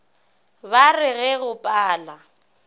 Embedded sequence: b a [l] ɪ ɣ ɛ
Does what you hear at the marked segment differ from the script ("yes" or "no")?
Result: yes